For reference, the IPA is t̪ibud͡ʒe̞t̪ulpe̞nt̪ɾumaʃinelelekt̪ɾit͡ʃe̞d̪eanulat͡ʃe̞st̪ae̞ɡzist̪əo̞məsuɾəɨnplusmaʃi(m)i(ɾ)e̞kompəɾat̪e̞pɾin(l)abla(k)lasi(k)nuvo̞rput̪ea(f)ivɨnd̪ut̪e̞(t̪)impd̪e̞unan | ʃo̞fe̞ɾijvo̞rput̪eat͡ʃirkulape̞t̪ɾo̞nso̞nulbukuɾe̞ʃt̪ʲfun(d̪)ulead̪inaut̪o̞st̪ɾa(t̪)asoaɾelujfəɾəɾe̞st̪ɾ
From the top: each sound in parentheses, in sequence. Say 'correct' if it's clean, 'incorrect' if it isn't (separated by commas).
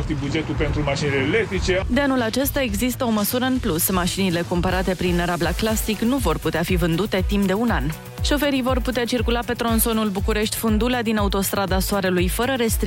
incorrect, incorrect, incorrect, correct, correct, correct, correct, correct, incorrect